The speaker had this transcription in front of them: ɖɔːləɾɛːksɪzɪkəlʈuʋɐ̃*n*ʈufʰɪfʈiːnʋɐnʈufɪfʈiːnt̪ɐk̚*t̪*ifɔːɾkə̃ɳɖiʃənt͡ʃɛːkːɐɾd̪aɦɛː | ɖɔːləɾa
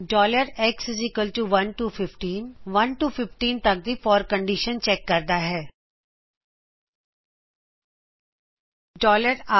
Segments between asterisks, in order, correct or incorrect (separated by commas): correct, incorrect